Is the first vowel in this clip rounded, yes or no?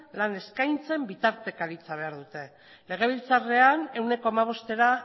no